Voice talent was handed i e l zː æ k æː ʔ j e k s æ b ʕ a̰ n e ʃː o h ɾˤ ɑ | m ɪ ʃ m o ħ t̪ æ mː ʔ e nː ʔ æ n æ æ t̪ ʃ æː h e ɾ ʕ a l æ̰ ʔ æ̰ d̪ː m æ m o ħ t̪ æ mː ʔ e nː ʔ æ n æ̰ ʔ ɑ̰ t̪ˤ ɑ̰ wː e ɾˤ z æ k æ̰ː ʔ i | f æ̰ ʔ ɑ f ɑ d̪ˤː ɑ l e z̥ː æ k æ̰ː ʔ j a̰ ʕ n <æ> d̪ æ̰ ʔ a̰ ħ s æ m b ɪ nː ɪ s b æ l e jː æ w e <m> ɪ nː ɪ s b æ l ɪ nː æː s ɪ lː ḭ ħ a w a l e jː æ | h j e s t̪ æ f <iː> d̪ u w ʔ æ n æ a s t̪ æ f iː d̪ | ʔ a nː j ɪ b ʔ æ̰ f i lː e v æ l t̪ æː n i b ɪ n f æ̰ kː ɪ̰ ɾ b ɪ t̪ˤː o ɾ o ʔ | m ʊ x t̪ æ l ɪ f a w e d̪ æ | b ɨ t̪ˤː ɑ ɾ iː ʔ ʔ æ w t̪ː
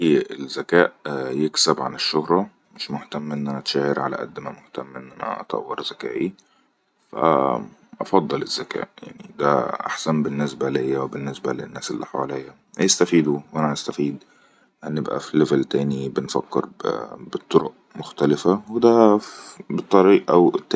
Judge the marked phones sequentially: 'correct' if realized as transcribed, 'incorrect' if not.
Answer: incorrect: i, incorrect: b, correct

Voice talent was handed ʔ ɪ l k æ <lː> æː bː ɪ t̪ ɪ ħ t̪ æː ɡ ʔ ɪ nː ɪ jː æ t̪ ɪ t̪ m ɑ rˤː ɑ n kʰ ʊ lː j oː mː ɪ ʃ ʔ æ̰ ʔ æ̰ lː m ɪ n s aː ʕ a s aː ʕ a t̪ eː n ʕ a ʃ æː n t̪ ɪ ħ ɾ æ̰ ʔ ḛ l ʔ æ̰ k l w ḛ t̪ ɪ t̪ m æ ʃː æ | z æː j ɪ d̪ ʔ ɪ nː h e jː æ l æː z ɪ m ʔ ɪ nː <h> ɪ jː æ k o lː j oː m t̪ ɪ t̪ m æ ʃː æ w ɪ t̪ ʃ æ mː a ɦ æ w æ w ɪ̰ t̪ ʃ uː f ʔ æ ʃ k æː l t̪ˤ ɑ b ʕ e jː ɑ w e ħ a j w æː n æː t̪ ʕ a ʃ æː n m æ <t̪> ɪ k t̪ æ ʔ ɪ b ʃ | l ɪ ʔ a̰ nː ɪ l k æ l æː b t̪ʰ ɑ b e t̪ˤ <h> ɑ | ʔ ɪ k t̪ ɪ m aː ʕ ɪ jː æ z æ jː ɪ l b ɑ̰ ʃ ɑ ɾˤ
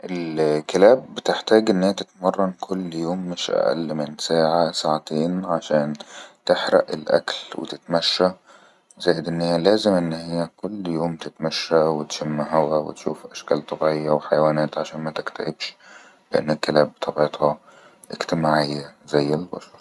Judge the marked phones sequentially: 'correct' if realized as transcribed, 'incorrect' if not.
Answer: incorrect: l, correct, correct, correct

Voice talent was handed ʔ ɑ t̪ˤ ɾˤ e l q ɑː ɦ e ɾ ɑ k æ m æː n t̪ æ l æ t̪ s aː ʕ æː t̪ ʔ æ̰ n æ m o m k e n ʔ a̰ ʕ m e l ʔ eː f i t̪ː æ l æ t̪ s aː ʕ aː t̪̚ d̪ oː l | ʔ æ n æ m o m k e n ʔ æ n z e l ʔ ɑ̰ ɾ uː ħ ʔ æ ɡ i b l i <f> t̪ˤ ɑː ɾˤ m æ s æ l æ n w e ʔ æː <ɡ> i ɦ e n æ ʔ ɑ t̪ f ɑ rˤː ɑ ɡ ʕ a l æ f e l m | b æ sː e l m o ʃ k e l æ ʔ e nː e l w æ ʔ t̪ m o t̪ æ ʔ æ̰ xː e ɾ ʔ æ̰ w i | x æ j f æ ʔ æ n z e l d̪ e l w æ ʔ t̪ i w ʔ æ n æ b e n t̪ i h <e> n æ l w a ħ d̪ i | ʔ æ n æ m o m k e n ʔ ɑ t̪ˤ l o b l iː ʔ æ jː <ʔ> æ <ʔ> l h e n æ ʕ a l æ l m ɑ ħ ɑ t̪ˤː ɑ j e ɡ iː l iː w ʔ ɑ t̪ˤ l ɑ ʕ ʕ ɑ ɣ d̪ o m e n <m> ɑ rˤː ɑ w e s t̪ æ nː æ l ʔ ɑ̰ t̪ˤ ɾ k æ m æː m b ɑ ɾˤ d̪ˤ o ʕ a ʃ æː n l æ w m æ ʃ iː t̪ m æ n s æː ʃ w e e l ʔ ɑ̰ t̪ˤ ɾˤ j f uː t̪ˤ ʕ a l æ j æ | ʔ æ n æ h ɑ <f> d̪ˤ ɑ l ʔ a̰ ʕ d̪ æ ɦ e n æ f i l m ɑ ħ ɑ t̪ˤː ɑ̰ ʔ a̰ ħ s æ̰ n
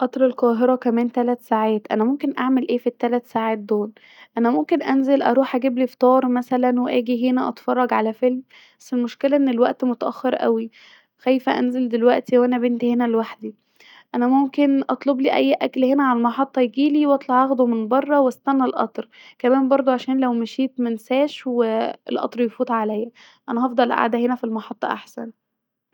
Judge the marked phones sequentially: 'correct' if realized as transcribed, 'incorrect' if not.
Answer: correct, correct, correct, correct, incorrect: k, incorrect: b, correct

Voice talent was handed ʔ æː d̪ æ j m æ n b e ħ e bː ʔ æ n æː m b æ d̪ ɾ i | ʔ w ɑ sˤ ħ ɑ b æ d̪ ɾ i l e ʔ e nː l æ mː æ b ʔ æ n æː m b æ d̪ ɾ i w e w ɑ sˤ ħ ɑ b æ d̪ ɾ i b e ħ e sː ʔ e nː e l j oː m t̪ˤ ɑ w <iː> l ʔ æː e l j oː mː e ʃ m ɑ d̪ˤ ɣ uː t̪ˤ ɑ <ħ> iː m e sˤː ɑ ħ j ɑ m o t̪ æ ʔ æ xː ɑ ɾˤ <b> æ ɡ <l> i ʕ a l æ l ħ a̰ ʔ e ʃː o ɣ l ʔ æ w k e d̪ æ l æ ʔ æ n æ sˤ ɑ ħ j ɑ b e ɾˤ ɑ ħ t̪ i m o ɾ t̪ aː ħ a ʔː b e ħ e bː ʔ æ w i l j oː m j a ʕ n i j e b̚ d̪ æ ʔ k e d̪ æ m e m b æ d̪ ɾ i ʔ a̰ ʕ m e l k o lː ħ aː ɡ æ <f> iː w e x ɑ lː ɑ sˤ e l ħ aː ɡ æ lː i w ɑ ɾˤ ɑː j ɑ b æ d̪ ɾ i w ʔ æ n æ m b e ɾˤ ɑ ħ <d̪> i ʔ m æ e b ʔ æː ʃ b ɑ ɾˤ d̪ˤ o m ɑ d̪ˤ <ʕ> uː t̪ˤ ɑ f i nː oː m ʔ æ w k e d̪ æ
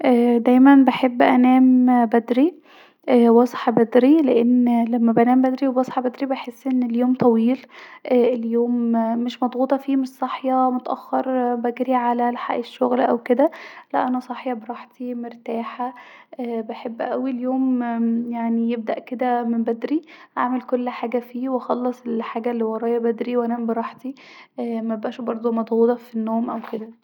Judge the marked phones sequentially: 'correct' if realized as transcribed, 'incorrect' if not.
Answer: correct, incorrect: f, correct, incorrect: ɾ, correct, incorrect: t̪, incorrect: ɣ

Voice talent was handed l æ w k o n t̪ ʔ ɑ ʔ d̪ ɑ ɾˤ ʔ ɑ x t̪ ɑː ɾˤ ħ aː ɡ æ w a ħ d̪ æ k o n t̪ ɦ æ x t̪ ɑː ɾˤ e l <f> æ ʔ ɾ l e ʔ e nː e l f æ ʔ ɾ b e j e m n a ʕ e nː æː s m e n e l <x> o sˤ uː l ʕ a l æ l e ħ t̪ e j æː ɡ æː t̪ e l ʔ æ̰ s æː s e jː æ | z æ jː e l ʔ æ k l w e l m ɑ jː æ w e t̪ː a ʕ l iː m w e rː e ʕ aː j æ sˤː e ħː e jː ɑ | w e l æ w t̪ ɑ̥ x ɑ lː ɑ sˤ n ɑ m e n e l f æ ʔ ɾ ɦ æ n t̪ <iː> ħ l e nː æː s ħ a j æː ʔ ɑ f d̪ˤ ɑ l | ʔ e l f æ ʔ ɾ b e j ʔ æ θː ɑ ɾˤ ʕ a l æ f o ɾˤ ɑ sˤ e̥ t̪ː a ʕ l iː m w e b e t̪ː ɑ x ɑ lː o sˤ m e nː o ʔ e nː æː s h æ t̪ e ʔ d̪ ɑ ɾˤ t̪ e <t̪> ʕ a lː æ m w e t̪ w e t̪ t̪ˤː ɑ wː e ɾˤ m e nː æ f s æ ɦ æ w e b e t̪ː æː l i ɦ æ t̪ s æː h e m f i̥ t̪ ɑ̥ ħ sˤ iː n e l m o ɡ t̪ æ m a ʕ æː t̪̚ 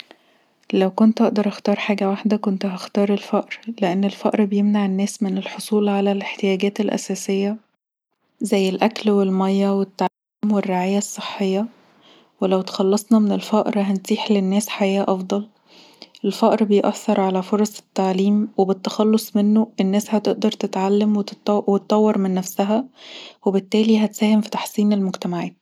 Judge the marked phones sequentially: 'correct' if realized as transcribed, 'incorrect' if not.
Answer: correct, incorrect: ħ, correct, correct

